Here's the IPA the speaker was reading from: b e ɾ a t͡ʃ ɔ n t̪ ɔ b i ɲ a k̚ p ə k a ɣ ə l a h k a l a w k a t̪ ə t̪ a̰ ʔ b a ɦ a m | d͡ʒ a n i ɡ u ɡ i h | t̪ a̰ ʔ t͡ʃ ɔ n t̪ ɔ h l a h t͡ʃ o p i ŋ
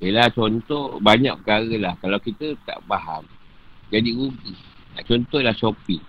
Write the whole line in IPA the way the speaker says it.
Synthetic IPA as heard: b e l a t͡ʃ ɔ n t̪ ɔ b a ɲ a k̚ p ə k a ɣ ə l a h k a l a w k i t̪ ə t̪ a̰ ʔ b a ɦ a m | d͡ʒ a d i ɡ u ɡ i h | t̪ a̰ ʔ t͡ʃ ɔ n t̪ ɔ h l a h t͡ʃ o p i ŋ